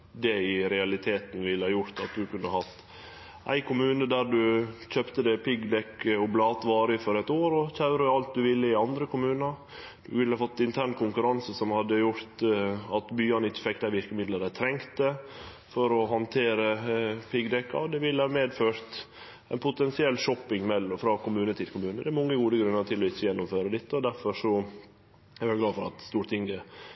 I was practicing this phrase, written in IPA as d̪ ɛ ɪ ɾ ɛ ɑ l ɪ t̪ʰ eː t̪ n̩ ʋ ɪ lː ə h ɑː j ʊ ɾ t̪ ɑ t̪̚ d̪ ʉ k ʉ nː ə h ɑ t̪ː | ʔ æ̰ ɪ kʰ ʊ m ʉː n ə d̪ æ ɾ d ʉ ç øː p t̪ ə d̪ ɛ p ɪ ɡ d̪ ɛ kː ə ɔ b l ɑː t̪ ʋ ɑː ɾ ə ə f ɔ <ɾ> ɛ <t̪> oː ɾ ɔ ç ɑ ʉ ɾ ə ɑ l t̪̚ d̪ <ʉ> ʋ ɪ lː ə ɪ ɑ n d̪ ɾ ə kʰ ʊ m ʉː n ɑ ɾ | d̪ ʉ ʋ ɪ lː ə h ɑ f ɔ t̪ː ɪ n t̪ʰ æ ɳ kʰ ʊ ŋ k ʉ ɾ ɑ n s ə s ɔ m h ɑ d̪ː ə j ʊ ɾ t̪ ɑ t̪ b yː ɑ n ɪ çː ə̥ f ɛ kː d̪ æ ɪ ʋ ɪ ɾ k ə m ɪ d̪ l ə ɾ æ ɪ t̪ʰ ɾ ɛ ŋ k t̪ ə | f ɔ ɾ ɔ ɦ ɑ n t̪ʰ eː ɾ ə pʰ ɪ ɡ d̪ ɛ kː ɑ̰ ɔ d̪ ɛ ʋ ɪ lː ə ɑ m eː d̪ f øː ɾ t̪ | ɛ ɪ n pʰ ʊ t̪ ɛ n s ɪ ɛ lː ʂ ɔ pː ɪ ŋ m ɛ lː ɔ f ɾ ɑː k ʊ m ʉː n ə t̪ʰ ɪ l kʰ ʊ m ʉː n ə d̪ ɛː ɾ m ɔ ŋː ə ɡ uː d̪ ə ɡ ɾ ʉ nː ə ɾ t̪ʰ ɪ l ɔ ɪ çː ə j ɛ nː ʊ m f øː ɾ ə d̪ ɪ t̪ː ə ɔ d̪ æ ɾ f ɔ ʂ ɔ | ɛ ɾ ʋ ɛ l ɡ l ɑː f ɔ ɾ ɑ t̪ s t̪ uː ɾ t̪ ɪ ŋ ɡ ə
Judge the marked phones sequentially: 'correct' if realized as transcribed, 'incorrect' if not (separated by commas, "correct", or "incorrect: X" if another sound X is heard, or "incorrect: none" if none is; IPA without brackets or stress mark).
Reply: correct, correct, correct